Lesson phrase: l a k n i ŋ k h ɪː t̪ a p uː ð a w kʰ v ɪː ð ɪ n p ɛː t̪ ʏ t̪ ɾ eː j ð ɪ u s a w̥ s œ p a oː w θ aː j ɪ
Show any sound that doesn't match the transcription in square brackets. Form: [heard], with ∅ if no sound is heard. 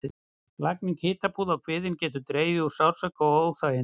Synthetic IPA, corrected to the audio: l a k n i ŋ k h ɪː t̪ a p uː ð a w kʰ v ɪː ð ɪ n [c] ɛː t̪ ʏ t̪ ɾ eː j [v] ɪ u s a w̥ s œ [k] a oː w θ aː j ɪ